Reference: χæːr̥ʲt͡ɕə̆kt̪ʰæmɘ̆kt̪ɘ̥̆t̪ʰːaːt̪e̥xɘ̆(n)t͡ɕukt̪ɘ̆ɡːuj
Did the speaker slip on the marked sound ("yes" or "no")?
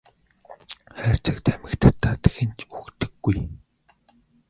no